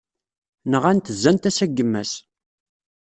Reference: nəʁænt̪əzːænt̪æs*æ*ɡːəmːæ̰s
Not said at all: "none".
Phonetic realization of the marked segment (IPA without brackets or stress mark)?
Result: æ